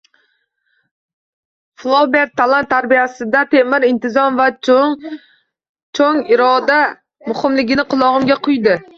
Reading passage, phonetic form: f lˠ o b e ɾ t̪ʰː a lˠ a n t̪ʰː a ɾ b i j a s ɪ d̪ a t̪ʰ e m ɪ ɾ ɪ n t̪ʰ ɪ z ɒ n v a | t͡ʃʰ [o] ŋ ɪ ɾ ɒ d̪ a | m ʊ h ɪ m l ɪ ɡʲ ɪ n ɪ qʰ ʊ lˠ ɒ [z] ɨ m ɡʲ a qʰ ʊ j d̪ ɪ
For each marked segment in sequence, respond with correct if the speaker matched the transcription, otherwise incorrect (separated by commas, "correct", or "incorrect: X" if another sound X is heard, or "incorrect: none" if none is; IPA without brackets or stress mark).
correct, incorrect: ʁ